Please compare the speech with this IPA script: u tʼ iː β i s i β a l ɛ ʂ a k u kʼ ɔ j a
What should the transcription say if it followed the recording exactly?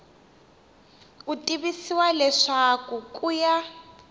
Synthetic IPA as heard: u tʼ i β i s i w a l ɛ ʂ a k u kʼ u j a